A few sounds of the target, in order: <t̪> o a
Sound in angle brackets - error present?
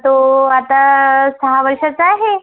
no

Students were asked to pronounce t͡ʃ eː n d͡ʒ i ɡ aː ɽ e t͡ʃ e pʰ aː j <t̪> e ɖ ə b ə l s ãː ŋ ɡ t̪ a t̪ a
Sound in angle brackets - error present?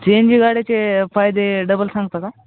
yes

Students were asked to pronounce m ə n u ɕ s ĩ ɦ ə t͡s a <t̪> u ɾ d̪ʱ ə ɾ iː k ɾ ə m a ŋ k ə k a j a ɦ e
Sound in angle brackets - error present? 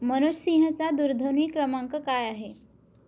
yes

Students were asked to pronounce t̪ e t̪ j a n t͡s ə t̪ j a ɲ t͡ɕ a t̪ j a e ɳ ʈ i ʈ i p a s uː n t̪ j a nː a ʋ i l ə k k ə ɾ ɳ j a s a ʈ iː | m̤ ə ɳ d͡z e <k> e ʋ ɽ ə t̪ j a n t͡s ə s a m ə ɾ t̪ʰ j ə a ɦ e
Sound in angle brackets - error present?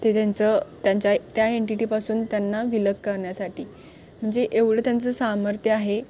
yes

